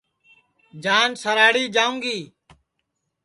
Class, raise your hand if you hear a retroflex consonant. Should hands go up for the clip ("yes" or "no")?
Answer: yes